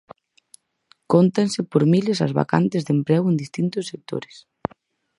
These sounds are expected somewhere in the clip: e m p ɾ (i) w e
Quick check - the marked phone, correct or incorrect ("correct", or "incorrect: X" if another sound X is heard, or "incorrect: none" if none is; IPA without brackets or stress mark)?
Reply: incorrect: ɛ